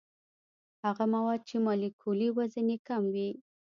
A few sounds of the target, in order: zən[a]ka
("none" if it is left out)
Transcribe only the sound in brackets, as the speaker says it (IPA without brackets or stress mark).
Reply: e